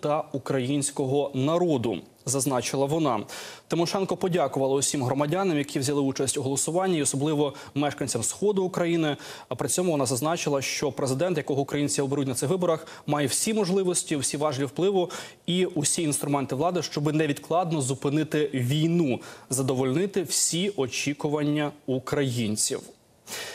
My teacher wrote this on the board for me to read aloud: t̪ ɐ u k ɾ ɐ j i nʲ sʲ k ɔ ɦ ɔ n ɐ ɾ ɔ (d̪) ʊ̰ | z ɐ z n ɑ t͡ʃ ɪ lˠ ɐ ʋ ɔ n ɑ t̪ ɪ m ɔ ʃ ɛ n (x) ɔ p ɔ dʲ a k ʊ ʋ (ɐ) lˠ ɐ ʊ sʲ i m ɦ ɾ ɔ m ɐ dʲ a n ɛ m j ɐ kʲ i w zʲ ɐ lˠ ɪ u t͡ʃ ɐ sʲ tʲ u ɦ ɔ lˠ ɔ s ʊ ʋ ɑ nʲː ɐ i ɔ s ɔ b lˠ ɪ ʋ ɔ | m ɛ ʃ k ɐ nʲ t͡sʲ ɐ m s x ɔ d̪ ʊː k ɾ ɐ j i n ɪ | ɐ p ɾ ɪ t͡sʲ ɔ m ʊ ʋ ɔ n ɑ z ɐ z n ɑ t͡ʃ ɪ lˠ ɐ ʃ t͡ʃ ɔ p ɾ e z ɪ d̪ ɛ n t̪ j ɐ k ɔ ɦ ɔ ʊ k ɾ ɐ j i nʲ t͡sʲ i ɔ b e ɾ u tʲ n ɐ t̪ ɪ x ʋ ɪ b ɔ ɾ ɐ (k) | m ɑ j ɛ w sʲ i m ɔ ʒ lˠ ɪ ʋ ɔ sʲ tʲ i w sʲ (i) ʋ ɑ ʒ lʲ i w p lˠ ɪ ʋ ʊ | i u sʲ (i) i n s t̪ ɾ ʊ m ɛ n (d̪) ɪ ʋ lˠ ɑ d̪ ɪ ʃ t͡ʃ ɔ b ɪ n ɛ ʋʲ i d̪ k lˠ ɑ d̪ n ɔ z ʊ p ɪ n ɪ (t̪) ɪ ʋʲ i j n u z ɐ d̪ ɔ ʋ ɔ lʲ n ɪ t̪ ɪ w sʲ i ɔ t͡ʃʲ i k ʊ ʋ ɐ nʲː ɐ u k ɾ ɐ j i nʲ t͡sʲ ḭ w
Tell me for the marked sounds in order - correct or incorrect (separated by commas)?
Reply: correct, incorrect, correct, incorrect, correct, correct, incorrect, correct